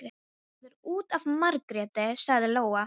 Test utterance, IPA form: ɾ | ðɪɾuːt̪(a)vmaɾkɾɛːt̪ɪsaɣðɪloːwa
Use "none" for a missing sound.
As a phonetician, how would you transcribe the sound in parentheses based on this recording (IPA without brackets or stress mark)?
a